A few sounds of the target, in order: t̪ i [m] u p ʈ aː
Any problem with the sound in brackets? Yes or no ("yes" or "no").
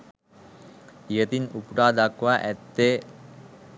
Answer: yes